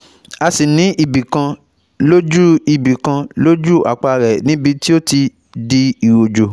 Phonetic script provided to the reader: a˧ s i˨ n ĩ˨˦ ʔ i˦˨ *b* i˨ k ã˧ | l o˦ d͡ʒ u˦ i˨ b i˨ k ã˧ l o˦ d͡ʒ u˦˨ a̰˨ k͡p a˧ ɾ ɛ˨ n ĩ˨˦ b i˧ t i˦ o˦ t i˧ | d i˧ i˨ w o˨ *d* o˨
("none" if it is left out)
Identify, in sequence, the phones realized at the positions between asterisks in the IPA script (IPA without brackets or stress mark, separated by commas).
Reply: b, d͡ʒ